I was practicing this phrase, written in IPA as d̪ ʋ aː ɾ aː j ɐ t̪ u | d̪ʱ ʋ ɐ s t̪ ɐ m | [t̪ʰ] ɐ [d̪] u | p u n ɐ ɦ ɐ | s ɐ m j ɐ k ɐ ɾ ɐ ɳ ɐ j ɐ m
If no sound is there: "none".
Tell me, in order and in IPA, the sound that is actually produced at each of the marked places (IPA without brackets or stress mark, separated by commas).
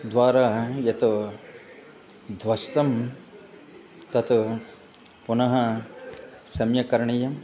t̪, t̪